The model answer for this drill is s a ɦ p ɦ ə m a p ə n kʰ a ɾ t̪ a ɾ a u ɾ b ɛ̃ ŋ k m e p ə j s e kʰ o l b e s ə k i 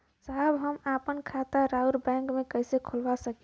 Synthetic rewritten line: s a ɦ b ɦ ə m a p ə n kʰ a t̪ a ɾ a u ɾ b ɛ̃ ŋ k m e k ə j s e kʰ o l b a s ə k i